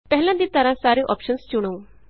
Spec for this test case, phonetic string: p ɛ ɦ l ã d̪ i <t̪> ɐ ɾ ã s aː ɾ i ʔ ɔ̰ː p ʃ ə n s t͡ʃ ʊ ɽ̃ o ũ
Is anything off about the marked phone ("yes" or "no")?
no